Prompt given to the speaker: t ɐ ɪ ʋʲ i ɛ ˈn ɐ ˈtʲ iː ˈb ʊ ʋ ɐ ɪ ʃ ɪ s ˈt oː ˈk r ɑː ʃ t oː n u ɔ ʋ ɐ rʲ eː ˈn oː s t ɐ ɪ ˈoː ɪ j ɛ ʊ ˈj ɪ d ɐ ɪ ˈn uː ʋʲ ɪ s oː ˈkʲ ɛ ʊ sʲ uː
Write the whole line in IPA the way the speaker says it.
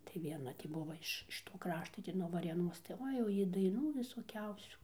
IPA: t ɐ ɪ ʋʲ i ɛ ˈn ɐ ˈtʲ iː ˈb ʊ ʋ ɐ ɪ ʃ ɪ ʃ ˈt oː ˈk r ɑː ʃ t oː n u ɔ ʋ ɐ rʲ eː ˈn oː s t ɐ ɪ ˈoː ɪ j ɛ ʊ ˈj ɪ d ɐ ɪ ˈn uː ʋʲ ɪ s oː ˈkʲ ɛ ʊ sʲ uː